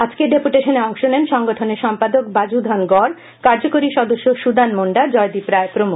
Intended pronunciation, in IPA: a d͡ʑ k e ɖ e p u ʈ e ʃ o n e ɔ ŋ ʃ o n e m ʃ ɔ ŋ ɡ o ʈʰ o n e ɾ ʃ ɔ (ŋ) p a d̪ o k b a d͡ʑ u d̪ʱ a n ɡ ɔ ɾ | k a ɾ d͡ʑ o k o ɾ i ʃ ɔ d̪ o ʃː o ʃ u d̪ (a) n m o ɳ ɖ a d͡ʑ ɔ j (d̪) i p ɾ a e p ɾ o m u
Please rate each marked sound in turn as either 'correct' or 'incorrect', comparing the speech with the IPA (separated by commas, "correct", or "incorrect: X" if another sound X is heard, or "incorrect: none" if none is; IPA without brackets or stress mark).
incorrect: m, correct, correct